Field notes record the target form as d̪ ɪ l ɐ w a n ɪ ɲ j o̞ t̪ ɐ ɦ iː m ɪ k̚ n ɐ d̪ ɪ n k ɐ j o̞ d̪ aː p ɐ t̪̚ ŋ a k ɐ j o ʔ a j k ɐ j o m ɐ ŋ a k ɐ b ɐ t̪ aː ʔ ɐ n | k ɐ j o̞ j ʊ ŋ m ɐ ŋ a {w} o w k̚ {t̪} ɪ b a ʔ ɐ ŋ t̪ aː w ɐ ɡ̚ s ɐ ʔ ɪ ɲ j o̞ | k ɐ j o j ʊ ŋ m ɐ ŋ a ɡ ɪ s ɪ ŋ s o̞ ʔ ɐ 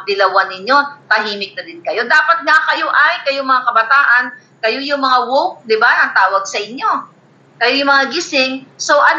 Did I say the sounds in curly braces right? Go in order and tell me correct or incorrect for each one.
correct, incorrect: d̪

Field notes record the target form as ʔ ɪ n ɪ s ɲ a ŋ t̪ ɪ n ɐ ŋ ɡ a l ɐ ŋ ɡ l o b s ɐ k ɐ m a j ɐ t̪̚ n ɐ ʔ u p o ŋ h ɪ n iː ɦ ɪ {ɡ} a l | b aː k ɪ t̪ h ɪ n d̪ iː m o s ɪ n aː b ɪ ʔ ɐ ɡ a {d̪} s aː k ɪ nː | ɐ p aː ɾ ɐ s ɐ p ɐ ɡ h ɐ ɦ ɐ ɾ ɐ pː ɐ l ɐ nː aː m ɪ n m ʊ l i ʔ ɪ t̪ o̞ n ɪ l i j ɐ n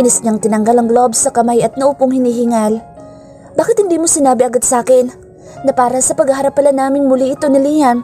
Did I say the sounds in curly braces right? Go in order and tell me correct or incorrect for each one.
incorrect: ŋ, correct

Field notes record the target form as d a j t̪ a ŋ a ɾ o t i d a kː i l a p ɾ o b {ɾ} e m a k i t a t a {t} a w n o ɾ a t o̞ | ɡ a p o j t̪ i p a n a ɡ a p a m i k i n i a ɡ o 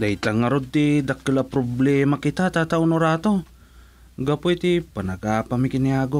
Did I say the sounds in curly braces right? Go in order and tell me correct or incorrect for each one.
incorrect: l, correct

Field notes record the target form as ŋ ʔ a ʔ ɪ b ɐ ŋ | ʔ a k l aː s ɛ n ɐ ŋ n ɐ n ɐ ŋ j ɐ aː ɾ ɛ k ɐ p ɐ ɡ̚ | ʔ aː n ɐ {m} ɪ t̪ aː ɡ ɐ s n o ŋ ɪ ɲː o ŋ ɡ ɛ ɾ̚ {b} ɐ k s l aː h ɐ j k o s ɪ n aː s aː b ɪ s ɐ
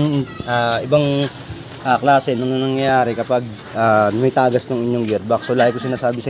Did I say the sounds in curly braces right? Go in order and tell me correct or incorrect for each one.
correct, correct

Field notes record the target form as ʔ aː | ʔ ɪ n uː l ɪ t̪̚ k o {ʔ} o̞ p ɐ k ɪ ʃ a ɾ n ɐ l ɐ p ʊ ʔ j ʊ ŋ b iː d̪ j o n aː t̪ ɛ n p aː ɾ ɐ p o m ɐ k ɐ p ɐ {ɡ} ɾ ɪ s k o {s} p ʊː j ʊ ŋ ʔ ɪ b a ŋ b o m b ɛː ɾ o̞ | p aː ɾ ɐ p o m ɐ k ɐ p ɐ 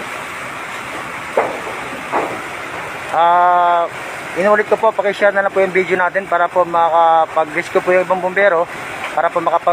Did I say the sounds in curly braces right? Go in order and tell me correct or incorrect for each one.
incorrect: p, correct, incorrect: none

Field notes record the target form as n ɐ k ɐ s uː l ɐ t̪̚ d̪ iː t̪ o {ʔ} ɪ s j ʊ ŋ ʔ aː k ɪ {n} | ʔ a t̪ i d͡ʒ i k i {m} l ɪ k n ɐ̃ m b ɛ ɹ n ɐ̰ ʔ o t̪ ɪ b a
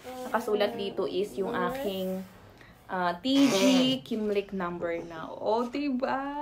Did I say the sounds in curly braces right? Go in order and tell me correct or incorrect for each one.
correct, incorrect: ŋ, correct

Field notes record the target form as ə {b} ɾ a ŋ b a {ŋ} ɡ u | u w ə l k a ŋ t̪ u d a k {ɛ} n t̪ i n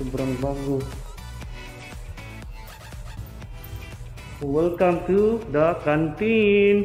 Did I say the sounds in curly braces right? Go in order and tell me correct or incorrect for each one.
correct, correct, incorrect: a

